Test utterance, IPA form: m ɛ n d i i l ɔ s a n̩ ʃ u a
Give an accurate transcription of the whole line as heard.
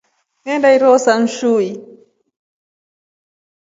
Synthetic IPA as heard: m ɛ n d a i ɾ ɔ s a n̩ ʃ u i